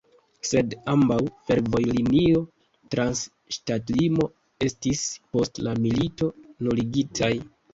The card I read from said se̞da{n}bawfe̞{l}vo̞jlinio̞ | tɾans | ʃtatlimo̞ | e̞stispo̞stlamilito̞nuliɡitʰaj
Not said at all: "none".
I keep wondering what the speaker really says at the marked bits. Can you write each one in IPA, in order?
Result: m, ɾ

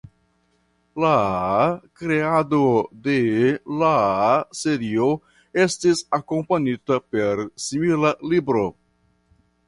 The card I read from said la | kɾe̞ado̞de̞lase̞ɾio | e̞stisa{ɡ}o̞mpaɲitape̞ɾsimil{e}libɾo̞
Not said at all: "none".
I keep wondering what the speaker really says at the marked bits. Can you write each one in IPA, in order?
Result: k, a

